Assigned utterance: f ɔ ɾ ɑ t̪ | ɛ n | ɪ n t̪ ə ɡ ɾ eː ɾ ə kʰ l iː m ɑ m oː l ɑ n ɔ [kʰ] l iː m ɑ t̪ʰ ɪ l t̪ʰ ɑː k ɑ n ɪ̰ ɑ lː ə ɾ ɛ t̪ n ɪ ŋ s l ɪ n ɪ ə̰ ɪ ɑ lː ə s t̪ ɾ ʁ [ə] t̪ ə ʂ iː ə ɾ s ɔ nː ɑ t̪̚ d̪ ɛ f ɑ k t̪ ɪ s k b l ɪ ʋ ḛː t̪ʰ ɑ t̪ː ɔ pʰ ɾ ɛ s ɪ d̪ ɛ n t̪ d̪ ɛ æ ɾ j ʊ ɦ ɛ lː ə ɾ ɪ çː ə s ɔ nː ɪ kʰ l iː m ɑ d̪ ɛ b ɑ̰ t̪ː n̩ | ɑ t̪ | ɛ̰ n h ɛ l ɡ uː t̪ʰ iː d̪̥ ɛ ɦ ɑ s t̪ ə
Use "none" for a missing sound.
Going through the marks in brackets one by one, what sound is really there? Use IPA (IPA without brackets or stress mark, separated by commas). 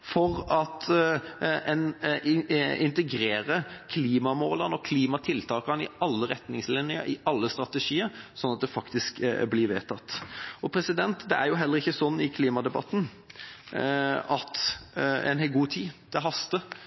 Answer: kʰ, ɑ